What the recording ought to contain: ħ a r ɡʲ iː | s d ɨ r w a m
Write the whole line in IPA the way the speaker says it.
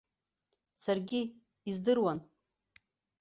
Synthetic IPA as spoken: s a r ɡʲ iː | z d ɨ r w a n